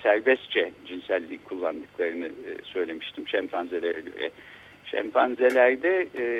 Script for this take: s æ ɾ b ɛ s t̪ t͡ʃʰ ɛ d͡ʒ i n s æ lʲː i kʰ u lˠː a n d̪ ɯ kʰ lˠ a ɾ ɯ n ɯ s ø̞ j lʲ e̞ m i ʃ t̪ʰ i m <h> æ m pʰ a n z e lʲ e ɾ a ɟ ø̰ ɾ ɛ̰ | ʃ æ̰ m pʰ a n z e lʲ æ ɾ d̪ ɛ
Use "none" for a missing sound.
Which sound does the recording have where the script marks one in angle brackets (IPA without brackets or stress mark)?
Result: ʃ